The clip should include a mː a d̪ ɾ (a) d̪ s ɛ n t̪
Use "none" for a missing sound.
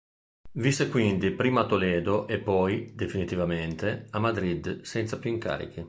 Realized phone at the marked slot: i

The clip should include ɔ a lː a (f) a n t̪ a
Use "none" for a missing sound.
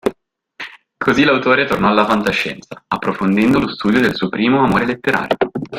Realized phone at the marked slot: f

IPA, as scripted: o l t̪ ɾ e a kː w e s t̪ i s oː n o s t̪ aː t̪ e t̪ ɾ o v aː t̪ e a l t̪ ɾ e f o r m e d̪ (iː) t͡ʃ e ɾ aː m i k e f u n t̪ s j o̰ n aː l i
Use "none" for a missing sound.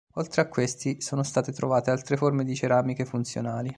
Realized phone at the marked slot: i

